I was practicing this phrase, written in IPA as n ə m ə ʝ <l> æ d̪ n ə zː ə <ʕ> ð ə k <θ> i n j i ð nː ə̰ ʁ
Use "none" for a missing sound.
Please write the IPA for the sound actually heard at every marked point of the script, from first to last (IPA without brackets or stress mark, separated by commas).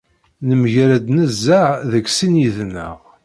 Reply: ɾ, ʕ, s